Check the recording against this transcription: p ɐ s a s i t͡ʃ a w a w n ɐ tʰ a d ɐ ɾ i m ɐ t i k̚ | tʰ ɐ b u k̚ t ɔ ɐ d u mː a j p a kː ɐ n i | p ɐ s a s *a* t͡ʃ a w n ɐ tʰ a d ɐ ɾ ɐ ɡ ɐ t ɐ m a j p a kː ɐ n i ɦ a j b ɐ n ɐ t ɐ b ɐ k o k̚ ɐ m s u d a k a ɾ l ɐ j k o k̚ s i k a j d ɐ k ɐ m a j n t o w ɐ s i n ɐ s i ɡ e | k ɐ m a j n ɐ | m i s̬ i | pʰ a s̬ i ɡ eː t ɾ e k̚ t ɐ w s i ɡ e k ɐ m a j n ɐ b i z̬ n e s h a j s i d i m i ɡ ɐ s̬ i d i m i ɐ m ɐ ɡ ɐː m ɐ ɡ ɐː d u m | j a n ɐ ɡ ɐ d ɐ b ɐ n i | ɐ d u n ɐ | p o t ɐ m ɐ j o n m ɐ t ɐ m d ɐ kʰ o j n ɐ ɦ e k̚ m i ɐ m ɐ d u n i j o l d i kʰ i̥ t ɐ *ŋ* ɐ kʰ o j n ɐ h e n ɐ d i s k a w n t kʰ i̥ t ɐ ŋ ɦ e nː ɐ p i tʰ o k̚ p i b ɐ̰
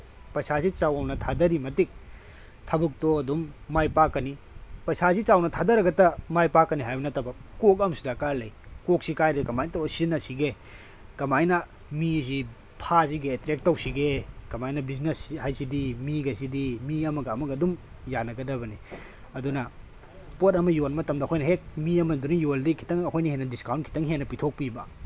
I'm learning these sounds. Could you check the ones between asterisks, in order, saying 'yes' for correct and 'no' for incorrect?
no, yes

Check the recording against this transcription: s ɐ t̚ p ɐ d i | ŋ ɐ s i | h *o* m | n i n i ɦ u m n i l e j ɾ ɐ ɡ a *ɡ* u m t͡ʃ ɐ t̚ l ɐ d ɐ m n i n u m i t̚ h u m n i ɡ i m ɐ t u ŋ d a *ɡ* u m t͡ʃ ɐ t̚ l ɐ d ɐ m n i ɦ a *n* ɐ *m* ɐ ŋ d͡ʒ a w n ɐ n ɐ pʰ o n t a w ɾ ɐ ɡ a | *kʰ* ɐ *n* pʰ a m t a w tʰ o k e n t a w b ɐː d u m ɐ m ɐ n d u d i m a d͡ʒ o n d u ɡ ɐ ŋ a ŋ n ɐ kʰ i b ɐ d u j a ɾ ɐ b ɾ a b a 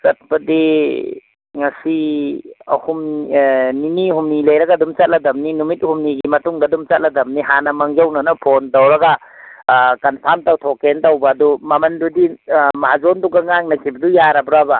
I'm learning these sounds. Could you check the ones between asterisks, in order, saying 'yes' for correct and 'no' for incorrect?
no, no, no, yes, yes, no, yes

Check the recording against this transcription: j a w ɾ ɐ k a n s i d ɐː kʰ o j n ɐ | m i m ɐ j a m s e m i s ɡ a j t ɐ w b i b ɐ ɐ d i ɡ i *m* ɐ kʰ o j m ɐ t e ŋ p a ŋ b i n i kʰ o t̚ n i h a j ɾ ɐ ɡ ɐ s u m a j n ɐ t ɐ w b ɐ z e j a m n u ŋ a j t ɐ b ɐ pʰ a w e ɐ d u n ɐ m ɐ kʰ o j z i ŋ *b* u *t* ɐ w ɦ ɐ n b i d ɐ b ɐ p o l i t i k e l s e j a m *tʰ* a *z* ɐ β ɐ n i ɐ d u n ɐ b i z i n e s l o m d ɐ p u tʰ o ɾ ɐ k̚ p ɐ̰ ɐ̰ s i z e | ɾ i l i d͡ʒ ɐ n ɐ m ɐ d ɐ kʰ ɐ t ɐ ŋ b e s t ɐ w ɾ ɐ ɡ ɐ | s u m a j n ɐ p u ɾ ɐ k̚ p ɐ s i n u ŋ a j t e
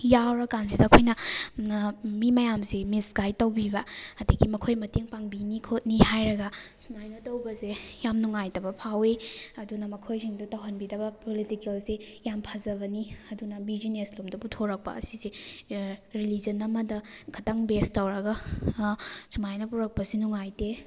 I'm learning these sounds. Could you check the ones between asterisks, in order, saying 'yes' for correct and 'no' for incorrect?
yes, no, yes, no, yes

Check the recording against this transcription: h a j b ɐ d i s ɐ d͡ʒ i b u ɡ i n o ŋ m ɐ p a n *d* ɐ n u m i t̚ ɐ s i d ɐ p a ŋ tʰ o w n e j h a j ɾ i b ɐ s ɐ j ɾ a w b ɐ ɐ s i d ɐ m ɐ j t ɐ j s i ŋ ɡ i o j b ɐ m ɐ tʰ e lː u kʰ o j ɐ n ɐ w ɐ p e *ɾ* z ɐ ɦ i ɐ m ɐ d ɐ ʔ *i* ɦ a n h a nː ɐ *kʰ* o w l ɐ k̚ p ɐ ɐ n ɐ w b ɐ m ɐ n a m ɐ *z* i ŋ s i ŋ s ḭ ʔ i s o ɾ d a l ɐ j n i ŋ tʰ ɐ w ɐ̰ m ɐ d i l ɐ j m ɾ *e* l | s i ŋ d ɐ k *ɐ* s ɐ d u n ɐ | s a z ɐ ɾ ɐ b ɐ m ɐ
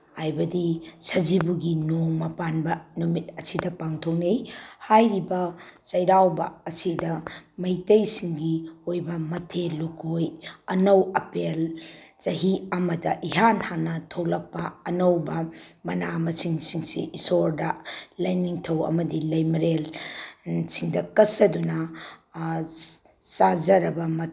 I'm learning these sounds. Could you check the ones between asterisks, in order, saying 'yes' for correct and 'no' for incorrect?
no, no, yes, no, no, yes, yes

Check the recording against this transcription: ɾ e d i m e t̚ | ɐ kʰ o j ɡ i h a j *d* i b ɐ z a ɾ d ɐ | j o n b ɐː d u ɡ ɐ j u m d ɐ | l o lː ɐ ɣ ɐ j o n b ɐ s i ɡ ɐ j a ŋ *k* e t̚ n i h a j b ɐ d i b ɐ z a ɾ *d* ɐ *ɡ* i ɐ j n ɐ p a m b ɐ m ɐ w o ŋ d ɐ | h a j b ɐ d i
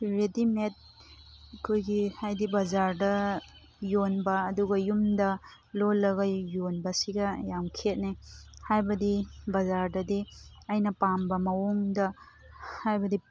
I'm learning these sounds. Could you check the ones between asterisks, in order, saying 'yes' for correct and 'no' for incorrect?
yes, no, yes, no

